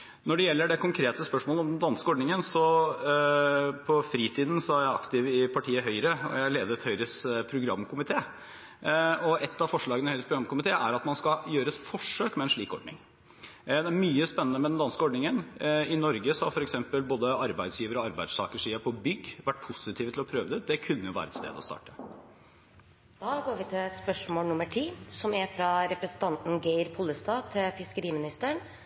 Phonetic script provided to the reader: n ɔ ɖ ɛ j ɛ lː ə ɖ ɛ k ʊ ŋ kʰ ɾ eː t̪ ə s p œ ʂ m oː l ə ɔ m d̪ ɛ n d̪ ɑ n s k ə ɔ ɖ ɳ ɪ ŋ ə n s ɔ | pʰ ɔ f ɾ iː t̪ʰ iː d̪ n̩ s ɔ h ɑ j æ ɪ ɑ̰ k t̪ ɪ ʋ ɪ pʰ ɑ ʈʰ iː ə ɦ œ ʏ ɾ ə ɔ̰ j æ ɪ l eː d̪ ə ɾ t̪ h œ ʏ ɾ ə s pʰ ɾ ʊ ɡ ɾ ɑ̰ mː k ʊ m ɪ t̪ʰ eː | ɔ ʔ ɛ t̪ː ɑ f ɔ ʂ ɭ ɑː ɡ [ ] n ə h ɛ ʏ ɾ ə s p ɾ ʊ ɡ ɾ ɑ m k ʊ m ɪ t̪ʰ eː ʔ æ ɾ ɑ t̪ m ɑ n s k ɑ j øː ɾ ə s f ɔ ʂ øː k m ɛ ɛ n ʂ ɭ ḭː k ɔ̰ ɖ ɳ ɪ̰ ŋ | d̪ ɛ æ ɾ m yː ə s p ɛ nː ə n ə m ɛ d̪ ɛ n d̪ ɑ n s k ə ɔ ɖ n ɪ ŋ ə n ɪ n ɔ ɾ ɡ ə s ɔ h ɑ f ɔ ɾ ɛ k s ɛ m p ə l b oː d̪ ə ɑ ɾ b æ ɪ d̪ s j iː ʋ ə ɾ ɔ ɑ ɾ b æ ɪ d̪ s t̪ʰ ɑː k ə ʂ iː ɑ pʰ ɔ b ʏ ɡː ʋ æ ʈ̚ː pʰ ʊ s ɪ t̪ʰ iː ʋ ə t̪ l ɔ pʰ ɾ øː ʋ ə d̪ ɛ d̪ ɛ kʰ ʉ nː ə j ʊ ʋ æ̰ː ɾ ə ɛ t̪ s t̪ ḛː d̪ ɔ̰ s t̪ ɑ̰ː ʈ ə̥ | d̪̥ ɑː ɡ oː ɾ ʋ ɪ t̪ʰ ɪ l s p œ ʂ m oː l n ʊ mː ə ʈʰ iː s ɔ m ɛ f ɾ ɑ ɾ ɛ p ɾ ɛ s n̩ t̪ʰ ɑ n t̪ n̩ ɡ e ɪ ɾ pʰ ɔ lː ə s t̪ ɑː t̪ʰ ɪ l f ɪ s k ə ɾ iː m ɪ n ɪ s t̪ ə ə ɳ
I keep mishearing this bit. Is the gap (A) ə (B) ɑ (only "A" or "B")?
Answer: A